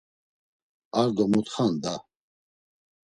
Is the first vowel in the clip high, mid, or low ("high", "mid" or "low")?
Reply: low